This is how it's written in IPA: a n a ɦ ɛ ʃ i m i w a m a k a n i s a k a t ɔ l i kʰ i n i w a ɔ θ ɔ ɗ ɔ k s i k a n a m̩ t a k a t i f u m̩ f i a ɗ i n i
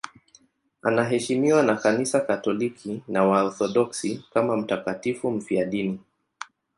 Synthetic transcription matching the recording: a n a ɦ ɛ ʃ i m i w a n a k a n i s a k a t ɔ l i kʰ i n a w a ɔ θ ɔ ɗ ɔ k s i k a m a m̩ t a k a t i f u m̩ f i a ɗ i n i